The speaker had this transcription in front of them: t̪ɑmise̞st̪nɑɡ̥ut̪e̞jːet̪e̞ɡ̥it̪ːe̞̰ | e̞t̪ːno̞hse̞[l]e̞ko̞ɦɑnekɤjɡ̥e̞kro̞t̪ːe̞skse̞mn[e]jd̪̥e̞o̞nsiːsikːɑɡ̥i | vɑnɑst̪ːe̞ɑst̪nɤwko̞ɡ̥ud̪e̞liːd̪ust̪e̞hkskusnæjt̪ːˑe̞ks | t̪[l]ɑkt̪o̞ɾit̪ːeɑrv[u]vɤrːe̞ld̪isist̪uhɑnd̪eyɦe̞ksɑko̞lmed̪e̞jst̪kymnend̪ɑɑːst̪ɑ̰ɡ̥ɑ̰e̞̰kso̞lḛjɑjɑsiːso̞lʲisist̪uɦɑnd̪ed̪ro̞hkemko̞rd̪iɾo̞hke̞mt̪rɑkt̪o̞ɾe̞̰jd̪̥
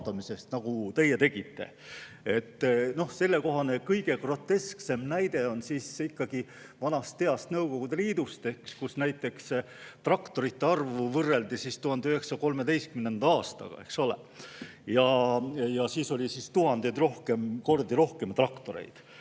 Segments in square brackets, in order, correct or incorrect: incorrect: lː, incorrect: æ, incorrect: r, correct

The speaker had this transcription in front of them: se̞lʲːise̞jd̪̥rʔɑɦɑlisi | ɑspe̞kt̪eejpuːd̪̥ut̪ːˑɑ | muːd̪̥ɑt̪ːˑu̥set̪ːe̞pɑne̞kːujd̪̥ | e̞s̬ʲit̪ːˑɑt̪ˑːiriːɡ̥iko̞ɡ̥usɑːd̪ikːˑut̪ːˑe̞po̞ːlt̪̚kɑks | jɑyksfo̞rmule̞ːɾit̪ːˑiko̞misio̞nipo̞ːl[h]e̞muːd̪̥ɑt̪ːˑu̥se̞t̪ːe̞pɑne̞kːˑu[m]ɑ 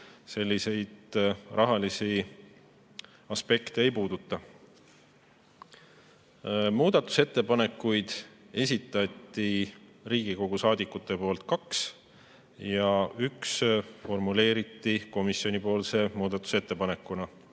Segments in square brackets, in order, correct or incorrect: incorrect: s, incorrect: n

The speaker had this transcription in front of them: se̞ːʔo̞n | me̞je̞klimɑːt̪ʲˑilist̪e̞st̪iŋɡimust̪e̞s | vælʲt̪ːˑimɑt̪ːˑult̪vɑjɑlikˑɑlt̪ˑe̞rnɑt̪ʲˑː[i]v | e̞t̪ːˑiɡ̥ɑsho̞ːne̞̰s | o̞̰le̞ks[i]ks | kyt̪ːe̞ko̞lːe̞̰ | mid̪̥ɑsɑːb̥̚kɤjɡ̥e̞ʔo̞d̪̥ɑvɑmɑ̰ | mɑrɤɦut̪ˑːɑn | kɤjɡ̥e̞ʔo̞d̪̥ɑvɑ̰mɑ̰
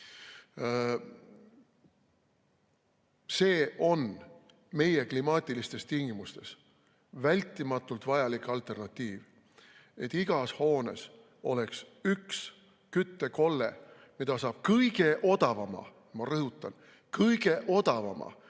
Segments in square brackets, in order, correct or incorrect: incorrect: iː, incorrect: y

